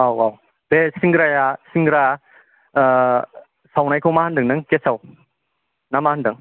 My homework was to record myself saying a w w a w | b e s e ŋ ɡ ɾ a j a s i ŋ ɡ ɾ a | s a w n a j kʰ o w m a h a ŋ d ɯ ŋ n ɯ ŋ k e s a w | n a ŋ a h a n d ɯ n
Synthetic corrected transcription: a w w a w | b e s i ŋ ɡ ɾ a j a s i ŋ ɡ ɾ a | s a w n a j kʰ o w m a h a n d ɯ ŋ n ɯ ŋ k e s a w | n a m a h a n d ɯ ŋ